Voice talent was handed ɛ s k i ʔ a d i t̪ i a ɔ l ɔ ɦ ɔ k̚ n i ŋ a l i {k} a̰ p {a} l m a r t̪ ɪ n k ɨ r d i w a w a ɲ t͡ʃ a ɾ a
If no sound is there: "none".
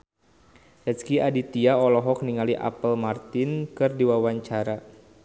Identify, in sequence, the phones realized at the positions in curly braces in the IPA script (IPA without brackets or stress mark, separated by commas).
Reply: ʔ, ə